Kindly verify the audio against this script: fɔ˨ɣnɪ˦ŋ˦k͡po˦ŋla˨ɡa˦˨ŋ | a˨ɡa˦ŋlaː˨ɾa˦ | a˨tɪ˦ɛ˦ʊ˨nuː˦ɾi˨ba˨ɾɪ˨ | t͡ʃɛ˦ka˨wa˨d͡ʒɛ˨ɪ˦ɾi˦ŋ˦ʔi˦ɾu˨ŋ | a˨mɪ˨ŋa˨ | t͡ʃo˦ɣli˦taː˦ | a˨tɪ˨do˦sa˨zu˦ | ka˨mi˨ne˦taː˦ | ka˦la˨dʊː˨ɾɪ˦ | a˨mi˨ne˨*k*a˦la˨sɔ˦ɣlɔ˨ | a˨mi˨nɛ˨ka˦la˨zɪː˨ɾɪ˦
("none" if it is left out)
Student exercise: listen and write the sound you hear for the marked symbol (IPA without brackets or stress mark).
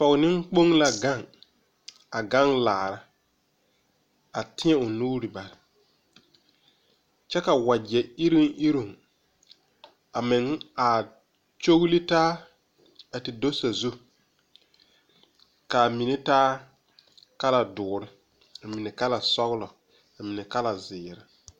k